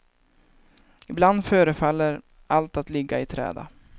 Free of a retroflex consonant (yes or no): yes